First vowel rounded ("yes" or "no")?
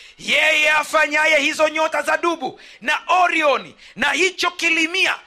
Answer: no